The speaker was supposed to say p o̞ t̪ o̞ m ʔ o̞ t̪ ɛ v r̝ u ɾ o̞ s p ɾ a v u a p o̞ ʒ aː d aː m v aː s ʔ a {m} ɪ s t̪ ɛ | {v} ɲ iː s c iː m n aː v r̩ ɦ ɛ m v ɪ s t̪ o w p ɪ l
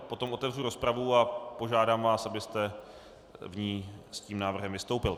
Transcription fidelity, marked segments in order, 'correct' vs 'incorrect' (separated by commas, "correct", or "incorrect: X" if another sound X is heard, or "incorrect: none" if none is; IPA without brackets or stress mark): incorrect: b, correct